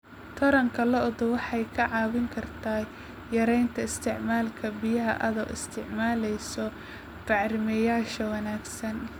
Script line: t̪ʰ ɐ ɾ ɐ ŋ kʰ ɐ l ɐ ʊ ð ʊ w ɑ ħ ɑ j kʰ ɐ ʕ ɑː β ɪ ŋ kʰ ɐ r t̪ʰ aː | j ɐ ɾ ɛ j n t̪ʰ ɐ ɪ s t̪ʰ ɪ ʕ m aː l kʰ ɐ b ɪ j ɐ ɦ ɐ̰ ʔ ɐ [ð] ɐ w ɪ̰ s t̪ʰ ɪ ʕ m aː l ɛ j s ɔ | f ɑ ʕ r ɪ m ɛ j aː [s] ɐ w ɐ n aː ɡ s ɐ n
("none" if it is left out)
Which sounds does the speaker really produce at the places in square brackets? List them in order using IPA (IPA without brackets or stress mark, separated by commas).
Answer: ð, ʃ